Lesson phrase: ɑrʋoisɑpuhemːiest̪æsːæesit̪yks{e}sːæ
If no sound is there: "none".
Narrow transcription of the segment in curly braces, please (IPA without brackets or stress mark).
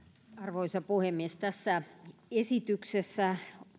e